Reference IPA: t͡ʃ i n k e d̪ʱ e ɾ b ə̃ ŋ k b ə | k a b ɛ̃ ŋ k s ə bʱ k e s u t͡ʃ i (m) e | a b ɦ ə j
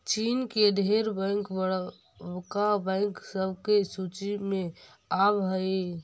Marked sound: correct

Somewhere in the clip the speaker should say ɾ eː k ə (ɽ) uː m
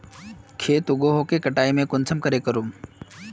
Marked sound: incorrect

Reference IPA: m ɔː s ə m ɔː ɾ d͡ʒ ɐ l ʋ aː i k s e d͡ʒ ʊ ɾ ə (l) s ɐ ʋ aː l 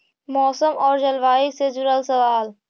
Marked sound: correct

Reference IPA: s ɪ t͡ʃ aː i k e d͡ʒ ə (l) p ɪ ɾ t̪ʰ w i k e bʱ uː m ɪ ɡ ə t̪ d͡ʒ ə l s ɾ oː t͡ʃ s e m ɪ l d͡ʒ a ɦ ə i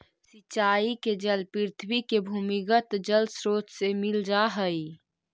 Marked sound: correct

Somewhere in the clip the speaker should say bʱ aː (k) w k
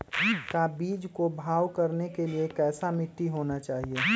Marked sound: incorrect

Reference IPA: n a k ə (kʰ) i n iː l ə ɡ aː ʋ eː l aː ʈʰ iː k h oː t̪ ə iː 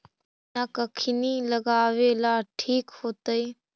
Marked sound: correct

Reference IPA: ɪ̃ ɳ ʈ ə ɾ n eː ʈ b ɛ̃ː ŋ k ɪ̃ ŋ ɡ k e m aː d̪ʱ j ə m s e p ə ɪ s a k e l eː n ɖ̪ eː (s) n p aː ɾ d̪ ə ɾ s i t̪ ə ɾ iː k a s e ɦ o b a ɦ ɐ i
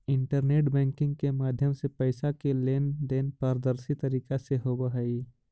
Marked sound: incorrect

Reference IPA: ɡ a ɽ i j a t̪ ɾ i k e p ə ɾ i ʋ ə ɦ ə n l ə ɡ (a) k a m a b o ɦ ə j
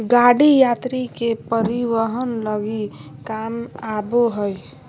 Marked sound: incorrect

